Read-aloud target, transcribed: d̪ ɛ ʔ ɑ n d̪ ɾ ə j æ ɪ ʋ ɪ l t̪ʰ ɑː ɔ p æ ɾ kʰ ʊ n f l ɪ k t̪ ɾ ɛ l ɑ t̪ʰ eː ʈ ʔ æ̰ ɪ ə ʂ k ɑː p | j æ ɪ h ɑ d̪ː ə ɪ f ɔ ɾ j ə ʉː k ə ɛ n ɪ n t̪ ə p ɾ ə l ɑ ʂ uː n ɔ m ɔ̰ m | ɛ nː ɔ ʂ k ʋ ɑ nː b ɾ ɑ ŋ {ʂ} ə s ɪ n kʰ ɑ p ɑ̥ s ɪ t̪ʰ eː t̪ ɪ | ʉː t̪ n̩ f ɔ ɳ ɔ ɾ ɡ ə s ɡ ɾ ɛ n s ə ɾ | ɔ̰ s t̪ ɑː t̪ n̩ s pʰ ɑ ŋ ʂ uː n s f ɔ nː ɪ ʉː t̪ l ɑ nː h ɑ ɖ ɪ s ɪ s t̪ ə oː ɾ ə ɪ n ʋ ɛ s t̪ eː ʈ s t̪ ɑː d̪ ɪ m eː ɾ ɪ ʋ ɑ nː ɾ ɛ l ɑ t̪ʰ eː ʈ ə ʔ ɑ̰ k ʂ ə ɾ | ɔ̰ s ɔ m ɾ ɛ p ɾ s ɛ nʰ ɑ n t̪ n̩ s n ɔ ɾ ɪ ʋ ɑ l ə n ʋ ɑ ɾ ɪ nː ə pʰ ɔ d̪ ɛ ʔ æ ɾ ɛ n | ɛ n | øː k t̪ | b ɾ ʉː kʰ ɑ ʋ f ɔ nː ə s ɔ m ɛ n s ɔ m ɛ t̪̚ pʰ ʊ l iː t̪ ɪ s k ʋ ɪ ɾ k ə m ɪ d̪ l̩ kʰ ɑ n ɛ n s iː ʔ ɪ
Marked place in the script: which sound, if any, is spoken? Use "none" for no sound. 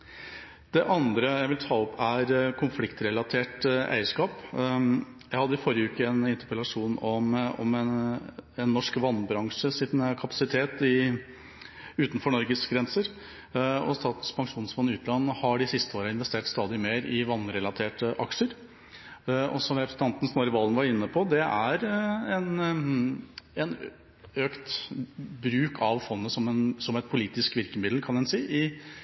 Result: ʂ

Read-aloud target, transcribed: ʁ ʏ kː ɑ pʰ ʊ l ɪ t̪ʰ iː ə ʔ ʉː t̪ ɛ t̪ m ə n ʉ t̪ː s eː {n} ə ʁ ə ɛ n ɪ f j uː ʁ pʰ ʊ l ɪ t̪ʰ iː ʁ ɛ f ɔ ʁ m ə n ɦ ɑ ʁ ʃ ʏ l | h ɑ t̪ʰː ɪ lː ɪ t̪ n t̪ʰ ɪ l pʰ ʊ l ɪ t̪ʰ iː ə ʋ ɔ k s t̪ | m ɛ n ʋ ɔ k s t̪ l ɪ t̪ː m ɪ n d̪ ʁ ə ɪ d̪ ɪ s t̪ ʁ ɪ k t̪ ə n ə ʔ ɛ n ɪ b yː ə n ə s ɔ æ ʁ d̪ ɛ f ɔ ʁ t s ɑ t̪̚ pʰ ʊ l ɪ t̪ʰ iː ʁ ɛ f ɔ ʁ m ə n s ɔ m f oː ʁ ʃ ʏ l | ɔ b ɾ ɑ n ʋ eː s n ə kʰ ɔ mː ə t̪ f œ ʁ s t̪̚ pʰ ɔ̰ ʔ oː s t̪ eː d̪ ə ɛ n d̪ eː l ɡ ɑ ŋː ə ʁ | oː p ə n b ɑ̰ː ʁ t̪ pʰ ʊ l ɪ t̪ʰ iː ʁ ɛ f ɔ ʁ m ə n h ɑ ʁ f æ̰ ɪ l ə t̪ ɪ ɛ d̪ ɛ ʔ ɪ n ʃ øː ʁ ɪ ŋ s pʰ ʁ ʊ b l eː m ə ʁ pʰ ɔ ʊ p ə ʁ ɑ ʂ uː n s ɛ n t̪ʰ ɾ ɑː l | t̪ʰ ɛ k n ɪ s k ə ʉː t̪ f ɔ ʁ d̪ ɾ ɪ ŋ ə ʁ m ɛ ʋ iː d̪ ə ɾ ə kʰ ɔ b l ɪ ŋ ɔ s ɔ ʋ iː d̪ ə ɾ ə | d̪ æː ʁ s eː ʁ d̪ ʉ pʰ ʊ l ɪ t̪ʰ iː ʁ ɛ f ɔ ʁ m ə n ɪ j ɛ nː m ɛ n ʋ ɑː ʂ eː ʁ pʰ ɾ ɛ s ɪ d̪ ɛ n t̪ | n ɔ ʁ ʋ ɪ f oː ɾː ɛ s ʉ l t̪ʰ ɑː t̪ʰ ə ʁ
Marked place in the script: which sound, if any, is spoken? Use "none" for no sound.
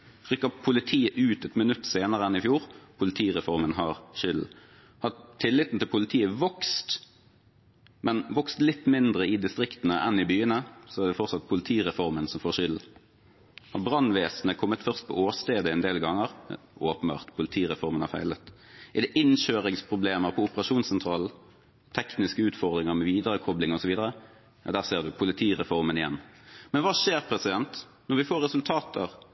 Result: n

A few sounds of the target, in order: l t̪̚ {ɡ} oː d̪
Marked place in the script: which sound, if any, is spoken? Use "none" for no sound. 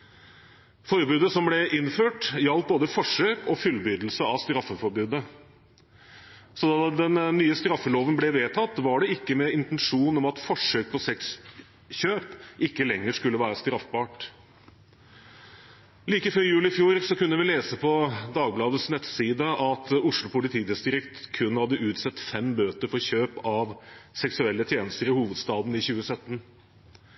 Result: b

